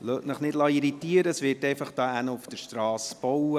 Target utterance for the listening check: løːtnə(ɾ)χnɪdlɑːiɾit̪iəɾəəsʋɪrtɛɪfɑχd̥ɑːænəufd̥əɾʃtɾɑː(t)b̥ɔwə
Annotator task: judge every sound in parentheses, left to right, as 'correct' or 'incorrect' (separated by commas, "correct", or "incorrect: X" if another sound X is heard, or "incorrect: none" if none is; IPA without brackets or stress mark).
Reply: incorrect: none, incorrect: s